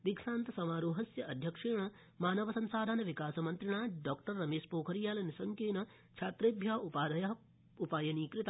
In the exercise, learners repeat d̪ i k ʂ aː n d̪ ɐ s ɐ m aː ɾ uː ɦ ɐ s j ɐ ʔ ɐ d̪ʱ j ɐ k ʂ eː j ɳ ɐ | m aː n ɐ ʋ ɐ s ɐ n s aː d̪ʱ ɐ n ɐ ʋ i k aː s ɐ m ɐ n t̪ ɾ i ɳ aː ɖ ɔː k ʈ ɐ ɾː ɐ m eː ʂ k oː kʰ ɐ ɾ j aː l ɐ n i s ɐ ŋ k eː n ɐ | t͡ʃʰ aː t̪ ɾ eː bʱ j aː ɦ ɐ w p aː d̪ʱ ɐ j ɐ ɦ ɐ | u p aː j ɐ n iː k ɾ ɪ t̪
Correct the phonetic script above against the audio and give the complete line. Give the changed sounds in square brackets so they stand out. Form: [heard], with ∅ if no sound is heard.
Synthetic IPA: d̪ i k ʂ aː n [t̪] ɐ s ɐ m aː ɾ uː ɦ ɐ s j ɐ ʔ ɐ d̪ʱ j ɐ k ʂ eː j ɳ ɐ | m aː n ɐ ʋ ɐ s ɐ n s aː d̪ʱ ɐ n ɐ ʋ i k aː s ɐ m ɐ n t̪ ɾ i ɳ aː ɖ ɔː k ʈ ɐ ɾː ɐ m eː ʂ [p] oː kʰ ɐ ɾ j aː l ɐ n i s ɐ ŋ k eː n ɐ | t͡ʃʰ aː t̪ ɾ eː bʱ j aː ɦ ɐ [u] p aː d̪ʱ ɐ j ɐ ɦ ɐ | u p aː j ɐ n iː k ɾ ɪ t̪

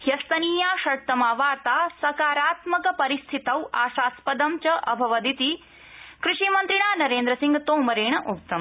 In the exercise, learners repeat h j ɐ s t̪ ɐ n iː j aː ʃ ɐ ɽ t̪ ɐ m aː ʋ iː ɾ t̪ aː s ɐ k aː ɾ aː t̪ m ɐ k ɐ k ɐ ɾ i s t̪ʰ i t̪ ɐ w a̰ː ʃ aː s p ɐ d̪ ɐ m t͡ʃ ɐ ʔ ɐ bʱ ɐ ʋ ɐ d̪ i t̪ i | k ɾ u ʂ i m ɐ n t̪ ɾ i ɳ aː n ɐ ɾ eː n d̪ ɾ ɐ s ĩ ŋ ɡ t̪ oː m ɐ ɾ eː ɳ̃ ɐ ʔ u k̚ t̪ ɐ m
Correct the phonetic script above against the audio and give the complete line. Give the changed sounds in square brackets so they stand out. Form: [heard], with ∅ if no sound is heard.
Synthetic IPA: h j ɐ s t̪ ɐ n iː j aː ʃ ɐ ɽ t̪ ɐ m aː ʋ [aː] ɾ t̪ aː s ɐ k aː ɾ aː t̪ m ɐ k ɐ [p] ɐ ɾ i s t̪ʰ i t̪ ɐ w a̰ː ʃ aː s p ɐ d̪ ɐ m t͡ʃ ɐ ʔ ɐ bʱ ɐ ʋ ɐ d̪ i t̪ i | k ɾ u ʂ i m ɐ n t̪ ɾ i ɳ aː n ɐ ɾ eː n d̪ ɾ ɐ s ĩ ŋ ɡ t̪ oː m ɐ ɾ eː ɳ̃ ɐ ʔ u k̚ t̪ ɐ m

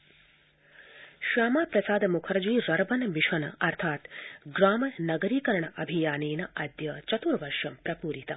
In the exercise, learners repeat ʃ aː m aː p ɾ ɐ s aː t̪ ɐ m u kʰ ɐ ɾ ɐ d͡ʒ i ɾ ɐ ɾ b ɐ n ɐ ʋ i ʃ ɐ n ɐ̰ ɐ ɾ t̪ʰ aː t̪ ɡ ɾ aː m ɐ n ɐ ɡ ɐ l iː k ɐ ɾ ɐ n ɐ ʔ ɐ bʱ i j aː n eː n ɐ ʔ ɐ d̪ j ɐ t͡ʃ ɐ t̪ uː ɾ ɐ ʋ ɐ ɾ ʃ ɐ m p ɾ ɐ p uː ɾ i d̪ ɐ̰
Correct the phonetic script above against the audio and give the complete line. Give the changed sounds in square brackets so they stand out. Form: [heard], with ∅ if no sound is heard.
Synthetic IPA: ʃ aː m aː p ɾ ɐ s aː [d̪] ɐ m u kʰ ɐ ɾ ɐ d͡ʒ i ɾ ɐ ɾ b ɐ n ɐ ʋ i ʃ ɐ n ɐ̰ ɐ ɾ t̪ʰ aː t̪ ɡ ɾ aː m ɐ n ɐ ɡ ɐ [ɾ] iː k ɐ ɾ ɐ [ɳ] ɐ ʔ ɐ bʱ i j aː n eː n ɐ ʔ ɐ d̪ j ɐ t͡ʃ ɐ t̪ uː ɾ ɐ ʋ ɐ ɾ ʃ ɐ m p ɾ ɐ p uː ɾ i [t̪] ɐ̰

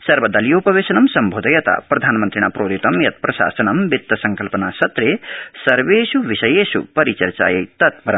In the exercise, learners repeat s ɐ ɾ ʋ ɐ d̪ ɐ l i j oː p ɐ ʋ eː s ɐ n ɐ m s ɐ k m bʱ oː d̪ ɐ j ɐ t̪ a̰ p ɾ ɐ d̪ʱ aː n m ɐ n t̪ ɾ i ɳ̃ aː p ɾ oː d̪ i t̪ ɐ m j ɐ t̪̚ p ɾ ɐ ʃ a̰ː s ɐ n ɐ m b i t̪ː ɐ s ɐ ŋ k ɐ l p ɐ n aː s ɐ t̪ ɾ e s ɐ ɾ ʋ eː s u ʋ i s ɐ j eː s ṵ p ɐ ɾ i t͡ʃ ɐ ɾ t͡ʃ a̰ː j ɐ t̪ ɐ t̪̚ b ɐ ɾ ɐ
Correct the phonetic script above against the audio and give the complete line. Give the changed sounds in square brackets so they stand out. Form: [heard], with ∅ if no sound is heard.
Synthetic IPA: s ɐ ɾ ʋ ɐ d̪ ɐ l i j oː p ɐ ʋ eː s ɐ n ɐ m s ɐ [∅] m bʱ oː d̪ ɐ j ɐ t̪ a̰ p ɾ ɐ d̪ʱ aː n m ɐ n t̪ ɾ i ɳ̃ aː p ɾ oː d̪ i t̪ ɐ m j ɐ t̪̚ p ɾ ɐ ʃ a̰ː s ɐ n ɐ m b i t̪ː ɐ s ɐ ŋ k ɐ l p ɐ n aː s ɐ t̪ ɾ e s ɐ ɾ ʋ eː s u ʋ i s ɐ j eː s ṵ p ɐ ɾ i t͡ʃ ɐ ɾ t͡ʃ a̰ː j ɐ t̪ ɐ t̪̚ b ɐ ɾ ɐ

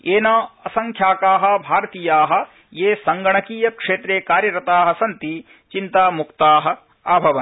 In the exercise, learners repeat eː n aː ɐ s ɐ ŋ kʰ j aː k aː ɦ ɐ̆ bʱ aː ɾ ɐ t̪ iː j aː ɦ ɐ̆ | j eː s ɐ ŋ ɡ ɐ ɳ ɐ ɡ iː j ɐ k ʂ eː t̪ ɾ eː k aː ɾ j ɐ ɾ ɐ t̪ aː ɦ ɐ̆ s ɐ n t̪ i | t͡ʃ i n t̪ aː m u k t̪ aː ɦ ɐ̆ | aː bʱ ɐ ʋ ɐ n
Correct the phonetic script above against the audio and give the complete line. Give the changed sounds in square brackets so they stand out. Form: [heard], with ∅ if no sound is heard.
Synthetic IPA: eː n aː ɐ s ɐ ŋ kʰ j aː k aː ɦ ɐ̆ bʱ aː ɾ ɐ t̪ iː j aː ɦ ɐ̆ | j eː s ɐ ŋ ɡ ɐ ɳ ɐ [k] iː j ɐ k ʂ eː t̪ ɾ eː k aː ɾ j ɐ ɾ ɐ t̪ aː ɦ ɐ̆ s ɐ n t̪ i | t͡ʃ i n t̪ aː m u k t̪ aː ɦ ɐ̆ | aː bʱ ɐ ʋ ɐ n

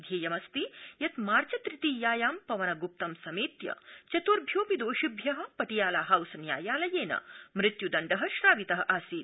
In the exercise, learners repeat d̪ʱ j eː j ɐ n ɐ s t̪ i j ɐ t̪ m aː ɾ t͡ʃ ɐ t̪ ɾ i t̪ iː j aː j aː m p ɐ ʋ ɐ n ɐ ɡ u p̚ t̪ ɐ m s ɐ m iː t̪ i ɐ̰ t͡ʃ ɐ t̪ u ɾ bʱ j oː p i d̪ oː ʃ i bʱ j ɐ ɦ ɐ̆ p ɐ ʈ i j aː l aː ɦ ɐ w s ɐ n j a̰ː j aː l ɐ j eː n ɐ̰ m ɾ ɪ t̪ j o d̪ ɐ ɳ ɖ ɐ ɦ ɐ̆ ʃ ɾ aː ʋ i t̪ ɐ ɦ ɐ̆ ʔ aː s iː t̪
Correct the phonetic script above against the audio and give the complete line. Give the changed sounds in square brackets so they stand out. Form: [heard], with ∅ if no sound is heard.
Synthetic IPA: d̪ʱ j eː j ɐ [m] ɐ s t̪ i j ɐ t̪ m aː ɾ t͡ʃ ɐ t̪ ɾ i t̪ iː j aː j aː m p ɐ ʋ ɐ n ɐ ɡ u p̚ t̪ ɐ m s ɐ m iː t̪ [j] ɐ̰ t͡ʃ ɐ t̪ u ɾ bʱ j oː p i d̪ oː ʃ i bʱ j ɐ ɦ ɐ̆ p ɐ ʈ i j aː l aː ɦ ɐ w s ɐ n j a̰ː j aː l ɐ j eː n ɐ̰ m ɾ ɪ t̪ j [u] d̪ ɐ ɳ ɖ ɐ ɦ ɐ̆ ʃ ɾ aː ʋ i t̪ ɐ ɦ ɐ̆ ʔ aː s iː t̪

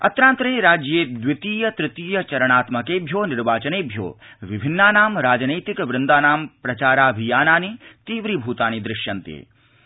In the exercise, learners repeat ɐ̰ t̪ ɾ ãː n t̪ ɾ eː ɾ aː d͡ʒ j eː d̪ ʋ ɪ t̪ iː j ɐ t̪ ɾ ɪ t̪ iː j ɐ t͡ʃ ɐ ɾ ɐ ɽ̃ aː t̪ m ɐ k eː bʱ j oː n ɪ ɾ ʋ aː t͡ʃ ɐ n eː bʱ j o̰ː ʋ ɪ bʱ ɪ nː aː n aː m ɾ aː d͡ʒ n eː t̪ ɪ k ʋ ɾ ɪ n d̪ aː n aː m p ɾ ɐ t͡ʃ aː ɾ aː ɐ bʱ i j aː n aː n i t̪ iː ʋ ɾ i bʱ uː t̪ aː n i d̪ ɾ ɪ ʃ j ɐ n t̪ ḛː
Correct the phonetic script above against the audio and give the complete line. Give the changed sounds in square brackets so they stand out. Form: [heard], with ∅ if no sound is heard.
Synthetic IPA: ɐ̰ t̪ ɾ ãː n t̪ ɾ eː ɾ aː d͡ʒ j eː d̪ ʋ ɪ t̪ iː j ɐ t̪ ɾ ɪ t̪ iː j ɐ t͡ʃ ɐ ɾ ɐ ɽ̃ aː t̪ m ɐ k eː bʱ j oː n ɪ ɾ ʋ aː t͡ʃ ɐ n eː bʱ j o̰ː ʋ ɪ bʱ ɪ nː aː n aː m ɾ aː d͡ʒ n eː t̪ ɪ k ʋ ɾ ɪ n d̪ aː n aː m p ɾ ɐ t͡ʃ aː ɾ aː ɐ bʱ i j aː n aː n i t̪ iː ʋ ɾ i bʱ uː t̪ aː n i d̪ ɾ ɪ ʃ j ɐ n t̪ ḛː

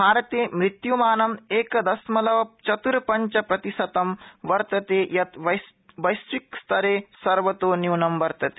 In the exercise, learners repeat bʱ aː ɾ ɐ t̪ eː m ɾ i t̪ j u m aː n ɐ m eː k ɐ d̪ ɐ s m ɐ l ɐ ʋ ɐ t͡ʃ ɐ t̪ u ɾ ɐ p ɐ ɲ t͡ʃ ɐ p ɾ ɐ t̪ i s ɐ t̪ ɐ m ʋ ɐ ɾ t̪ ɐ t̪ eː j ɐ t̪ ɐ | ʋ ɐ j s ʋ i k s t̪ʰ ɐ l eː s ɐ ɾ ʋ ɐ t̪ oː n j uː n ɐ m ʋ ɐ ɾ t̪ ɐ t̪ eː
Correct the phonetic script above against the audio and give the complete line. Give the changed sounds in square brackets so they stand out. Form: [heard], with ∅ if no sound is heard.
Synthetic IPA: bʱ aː ɾ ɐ t̪ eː m ɾ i t̪ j u m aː n ɐ m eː k ɐ d̪ ɐ s m ɐ l ɐ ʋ ɐ t͡ʃ ɐ t̪ u ɾ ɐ p ɐ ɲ t͡ʃ ɐ p ɾ ɐ t̪ i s ɐ t̪ ɐ m ʋ ɐ ɾ t̪ ɐ t̪ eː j ɐ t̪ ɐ | ʋ ɐ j s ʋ i k s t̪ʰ ɐ [ɾ] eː s ɐ ɾ ʋ ɐ t̪ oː n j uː n ɐ m ʋ ɐ ɾ t̪ ɐ t̪ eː

